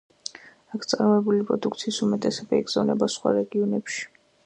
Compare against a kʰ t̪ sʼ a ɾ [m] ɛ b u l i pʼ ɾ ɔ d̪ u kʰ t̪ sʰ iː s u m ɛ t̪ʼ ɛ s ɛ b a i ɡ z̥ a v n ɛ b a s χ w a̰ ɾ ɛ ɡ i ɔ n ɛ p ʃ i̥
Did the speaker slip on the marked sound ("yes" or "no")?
no